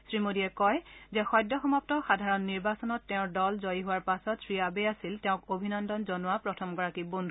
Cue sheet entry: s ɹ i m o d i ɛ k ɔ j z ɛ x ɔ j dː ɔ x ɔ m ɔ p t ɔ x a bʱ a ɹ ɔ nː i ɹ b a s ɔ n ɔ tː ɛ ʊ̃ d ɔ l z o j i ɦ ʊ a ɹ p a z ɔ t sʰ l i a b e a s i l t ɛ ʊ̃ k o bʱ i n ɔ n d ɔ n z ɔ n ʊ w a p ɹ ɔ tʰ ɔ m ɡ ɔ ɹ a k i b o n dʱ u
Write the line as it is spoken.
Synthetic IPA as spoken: s ɹ i m o d i ɛ k ɔ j z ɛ x ɔ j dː ɔ x ɔ m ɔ p t ɔ x a dʱ a ɹ ɔ nː i ɹ b a s ɔ n ɔ tː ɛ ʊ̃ d ɔ l z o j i ɦ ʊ a ɹ p a s ɔ t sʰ ɹ i a b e a s i l t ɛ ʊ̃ k o bʱ i n ɔ n d ɔ n z ɔ n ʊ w a p ɹ ɔ tʰ ɔ m ɡ ɔ ɹ a k i b o n dʱ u